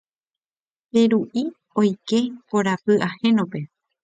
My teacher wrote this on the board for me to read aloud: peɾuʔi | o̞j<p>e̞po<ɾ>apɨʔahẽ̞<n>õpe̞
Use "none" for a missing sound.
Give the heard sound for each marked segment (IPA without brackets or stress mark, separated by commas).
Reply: k, ɾ, n